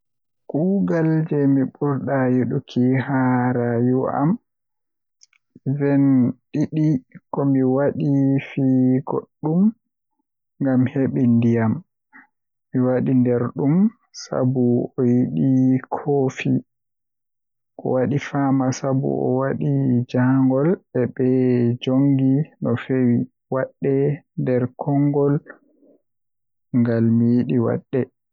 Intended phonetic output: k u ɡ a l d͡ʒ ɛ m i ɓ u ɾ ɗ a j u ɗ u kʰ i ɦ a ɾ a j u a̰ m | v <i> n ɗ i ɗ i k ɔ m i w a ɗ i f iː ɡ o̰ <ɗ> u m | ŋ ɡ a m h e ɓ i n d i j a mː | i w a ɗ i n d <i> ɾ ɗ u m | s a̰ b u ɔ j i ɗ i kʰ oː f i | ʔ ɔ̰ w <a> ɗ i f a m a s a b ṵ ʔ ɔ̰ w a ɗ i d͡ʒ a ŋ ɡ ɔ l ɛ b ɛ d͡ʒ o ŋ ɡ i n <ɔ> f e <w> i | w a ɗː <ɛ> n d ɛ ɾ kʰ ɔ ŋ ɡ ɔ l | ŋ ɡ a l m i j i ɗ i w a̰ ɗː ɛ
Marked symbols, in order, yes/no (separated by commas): no, no, no, yes, yes, yes, yes